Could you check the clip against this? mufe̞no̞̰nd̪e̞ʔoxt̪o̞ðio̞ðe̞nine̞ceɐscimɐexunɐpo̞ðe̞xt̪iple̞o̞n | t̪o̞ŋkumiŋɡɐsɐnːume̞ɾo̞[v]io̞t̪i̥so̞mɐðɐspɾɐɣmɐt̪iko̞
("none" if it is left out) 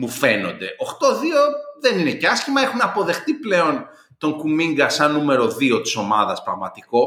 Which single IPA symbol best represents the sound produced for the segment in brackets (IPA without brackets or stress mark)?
ð